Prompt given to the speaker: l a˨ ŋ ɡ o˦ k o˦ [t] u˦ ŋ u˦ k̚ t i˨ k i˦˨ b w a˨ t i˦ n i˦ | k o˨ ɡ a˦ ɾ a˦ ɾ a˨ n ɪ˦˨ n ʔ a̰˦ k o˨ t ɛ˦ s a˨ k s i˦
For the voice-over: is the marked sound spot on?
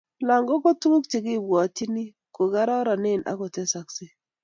yes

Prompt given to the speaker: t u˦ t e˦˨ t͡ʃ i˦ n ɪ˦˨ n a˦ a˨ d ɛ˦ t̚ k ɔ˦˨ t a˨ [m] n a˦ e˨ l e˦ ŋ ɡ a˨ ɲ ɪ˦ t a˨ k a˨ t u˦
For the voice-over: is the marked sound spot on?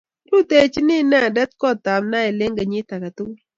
yes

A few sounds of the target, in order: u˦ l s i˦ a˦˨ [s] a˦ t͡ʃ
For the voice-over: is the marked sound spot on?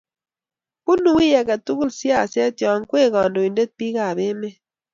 yes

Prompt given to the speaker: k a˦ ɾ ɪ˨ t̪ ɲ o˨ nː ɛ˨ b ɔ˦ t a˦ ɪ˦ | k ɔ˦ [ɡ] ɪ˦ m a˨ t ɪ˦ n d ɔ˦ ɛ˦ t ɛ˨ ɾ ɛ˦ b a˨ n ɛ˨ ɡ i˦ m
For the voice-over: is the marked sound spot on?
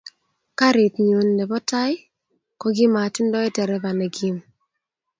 yes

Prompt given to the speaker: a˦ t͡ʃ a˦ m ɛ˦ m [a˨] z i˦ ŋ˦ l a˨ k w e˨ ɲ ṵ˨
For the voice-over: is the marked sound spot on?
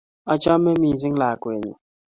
no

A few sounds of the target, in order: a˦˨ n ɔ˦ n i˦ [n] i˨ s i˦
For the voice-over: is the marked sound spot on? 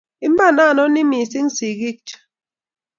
no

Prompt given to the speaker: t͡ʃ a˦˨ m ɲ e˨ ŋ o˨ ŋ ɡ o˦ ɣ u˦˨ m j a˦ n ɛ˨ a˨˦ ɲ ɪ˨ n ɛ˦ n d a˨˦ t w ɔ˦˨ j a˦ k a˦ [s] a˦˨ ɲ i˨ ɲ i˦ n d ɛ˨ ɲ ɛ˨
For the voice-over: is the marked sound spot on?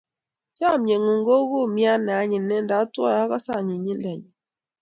yes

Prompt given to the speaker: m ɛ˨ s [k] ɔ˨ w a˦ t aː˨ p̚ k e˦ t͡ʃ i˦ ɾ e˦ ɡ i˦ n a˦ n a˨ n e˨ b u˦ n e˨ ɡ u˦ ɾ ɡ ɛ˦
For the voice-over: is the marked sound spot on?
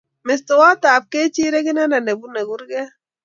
no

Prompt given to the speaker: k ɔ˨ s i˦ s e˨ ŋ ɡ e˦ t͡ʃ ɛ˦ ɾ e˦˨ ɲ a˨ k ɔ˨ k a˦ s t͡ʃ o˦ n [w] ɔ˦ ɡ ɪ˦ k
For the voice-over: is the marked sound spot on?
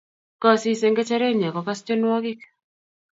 yes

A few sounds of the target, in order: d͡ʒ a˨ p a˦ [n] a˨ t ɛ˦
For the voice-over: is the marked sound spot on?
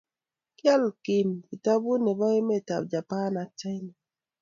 yes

